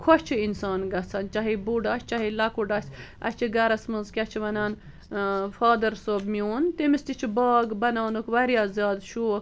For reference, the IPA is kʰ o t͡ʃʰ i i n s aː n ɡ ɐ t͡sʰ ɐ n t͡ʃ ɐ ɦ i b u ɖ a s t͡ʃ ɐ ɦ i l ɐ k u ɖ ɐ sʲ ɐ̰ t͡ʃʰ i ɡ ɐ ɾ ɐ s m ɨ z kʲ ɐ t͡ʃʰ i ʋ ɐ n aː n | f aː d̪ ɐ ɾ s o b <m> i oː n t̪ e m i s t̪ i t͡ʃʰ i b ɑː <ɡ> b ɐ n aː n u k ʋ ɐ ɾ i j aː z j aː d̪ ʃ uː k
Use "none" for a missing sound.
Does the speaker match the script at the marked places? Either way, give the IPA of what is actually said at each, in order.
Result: m, ɡ

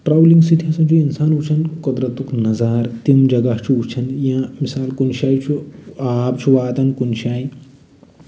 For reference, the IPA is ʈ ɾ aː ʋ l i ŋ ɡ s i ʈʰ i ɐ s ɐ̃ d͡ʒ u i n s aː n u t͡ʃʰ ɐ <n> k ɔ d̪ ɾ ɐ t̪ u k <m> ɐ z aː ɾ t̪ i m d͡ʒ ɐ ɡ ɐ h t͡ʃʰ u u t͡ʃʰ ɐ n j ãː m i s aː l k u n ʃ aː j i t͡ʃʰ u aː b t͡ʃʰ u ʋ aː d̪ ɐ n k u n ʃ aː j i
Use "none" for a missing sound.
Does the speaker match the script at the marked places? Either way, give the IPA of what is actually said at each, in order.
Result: n, n

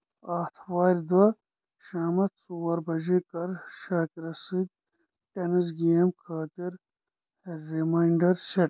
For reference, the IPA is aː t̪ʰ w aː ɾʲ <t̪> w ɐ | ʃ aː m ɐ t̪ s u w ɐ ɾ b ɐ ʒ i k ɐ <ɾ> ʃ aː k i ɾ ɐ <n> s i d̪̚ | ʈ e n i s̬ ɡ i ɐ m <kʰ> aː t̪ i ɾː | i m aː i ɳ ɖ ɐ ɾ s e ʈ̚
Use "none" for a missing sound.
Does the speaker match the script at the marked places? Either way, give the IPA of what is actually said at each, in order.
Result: d̪, ɾ, none, kʰ

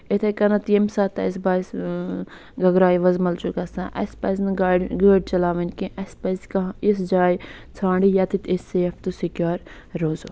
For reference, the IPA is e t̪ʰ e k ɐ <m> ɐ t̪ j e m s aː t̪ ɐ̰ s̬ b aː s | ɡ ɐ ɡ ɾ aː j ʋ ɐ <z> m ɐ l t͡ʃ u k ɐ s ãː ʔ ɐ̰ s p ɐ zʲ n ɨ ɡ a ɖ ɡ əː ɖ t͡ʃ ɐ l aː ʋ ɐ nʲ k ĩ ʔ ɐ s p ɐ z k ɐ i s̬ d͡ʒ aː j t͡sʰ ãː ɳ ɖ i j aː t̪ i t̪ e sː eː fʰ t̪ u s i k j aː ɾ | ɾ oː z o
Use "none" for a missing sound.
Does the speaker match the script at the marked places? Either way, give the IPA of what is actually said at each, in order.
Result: n, z

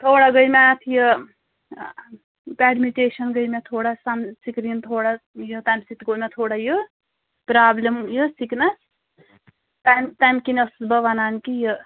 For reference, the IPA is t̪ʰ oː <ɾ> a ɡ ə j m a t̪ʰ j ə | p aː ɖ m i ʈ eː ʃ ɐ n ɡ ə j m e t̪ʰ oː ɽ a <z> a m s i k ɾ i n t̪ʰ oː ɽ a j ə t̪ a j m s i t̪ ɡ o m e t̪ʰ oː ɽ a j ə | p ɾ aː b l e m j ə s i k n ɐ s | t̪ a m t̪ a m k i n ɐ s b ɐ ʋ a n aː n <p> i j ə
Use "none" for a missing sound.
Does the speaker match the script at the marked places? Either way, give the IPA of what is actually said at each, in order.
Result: ɽ, s, k

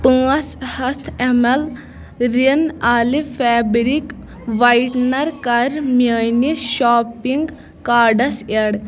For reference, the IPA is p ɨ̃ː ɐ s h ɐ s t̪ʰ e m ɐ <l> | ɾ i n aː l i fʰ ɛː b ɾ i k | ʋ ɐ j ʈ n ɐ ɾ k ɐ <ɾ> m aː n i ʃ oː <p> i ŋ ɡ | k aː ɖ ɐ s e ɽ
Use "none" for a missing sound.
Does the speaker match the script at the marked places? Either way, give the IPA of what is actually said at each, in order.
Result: l, ɾ, p

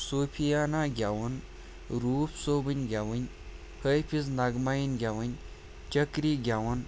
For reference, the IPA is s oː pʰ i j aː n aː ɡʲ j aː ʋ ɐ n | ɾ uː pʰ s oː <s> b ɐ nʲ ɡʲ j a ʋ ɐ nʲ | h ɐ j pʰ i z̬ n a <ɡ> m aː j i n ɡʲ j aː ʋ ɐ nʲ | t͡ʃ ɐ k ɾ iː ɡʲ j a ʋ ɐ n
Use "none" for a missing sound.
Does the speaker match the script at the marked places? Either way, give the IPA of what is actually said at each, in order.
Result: none, ɡ

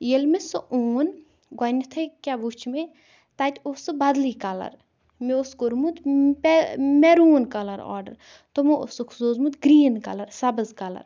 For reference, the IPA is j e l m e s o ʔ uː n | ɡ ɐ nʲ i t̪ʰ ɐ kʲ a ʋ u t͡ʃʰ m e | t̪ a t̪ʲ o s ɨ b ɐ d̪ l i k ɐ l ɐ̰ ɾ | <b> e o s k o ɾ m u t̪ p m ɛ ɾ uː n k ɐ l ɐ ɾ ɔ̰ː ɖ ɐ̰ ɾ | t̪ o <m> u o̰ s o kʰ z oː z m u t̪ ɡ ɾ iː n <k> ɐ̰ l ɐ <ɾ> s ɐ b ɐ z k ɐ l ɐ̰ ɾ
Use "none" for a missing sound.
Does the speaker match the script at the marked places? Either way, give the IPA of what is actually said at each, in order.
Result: m, m, k, ɾ

